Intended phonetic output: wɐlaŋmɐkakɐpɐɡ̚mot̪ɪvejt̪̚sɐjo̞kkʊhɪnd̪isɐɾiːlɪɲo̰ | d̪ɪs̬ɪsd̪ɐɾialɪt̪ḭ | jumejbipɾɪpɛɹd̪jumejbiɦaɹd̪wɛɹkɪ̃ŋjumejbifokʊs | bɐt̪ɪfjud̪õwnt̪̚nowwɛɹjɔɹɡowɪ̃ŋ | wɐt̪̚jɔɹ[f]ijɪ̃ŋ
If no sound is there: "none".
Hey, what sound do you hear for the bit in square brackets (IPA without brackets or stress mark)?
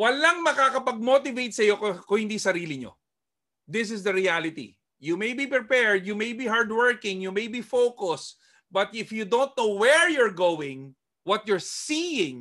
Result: s